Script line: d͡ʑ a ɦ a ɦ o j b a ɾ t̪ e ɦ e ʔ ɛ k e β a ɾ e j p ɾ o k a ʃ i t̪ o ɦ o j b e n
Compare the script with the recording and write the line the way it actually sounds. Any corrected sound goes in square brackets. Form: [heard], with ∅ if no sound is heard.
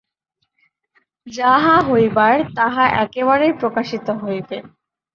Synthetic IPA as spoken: d͡ʑ a ɦ a ɦ o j b a ɾ t̪ [a] ɦ [a] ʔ ɛ k e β a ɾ e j p ɾ o k a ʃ i t̪ o ɦ o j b e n